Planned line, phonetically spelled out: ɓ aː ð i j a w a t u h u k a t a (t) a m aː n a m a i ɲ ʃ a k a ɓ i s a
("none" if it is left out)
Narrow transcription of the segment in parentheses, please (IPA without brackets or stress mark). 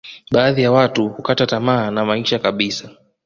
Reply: t